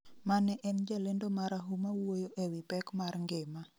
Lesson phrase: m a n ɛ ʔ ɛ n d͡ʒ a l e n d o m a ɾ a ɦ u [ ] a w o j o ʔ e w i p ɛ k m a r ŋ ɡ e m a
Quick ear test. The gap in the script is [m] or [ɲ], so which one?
m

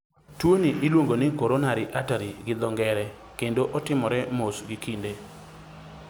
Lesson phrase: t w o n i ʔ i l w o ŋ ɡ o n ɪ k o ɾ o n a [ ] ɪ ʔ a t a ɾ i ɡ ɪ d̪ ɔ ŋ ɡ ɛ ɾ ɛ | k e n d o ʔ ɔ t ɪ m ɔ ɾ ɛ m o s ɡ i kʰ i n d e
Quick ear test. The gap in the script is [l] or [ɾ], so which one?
ɾ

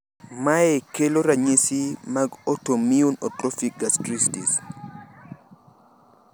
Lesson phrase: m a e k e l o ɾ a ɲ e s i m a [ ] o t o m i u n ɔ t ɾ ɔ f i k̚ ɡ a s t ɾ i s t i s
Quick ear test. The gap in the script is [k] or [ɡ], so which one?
ɡ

